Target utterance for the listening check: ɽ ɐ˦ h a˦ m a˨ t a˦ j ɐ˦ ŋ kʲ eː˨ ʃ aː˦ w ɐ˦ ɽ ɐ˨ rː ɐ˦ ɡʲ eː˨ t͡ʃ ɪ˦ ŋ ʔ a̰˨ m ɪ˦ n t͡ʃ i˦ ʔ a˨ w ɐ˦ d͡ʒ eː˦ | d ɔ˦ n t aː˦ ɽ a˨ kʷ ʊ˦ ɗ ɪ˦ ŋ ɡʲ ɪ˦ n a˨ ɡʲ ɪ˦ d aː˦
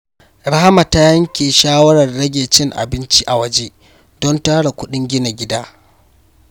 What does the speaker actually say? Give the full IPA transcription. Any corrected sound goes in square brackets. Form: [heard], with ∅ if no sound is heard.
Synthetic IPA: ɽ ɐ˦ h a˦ m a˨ t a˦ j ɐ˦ ŋ kʲ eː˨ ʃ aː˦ w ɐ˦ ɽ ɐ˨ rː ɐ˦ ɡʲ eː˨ t͡ʃ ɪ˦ ŋ ʔ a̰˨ [b] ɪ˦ n t͡ʃ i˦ ʔ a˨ w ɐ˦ d͡ʒ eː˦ | d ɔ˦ n t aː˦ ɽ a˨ kʷ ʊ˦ ɗ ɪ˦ ŋ ɡʲ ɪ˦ n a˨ ɡʲ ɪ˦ d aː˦